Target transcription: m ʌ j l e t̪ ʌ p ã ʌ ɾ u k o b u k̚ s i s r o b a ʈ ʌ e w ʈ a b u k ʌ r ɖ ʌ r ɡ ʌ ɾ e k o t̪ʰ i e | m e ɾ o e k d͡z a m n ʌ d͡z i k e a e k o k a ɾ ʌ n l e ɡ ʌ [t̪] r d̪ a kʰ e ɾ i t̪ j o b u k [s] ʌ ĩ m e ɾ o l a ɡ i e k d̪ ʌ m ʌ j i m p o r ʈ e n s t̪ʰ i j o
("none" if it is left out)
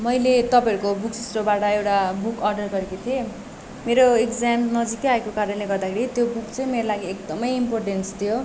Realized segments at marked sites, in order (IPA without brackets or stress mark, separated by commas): none, t͡s